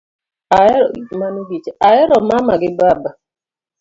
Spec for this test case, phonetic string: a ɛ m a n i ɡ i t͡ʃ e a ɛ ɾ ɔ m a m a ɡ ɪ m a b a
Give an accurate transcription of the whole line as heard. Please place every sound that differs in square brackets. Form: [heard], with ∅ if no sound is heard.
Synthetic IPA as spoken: a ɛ m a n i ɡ i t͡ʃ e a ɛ ɾ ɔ m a m a ɡ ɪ [b] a b a